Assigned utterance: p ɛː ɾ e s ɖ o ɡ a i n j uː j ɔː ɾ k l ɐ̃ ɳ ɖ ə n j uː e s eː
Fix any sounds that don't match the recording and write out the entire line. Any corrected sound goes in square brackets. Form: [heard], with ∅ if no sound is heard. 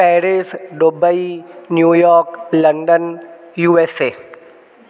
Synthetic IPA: p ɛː ɾ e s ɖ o [b] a i n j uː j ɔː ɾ k l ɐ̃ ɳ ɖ ə n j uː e s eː